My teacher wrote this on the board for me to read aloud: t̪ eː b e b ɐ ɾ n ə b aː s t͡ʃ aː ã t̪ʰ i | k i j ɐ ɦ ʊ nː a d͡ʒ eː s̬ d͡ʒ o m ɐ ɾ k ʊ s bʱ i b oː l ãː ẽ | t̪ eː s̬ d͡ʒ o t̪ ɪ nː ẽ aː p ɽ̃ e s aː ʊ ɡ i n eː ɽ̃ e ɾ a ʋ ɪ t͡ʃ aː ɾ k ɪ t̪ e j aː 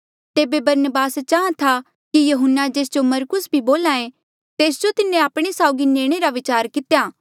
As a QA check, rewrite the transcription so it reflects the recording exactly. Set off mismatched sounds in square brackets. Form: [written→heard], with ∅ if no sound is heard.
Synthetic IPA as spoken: t̪ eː b e b ɐ ɾ n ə b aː s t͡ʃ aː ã t̪ʰ [i→a] | k i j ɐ ɦ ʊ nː a d͡ʒ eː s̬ d͡ʒ o m ɐ ɾ k ʊ s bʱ i b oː l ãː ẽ | t̪ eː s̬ d͡ʒ o t̪ ɪ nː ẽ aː p ɽ̃ e s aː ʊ ɡ i n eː ɽ̃ e ɾ a ʋ ɪ t͡ʃ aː ɾ k ɪ t̪ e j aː